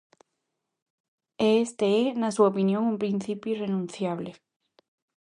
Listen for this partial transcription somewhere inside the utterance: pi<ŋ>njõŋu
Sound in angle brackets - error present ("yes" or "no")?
yes